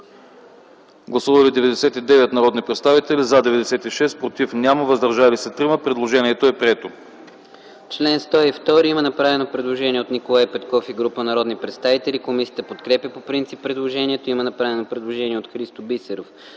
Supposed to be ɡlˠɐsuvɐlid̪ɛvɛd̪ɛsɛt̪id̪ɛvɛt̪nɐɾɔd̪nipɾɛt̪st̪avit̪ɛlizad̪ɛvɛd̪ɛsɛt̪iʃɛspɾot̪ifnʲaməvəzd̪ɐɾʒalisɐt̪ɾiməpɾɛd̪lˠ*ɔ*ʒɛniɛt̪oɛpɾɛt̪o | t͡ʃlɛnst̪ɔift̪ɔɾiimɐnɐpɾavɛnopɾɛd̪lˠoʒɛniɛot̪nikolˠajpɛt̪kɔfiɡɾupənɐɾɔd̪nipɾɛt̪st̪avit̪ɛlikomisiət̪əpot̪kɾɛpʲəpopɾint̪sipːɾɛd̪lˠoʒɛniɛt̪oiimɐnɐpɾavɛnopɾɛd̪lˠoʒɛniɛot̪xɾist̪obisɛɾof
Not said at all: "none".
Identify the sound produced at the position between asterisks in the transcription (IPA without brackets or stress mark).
o